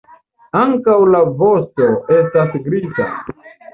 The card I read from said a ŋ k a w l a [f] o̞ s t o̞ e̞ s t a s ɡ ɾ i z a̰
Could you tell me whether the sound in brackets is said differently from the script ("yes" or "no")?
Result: yes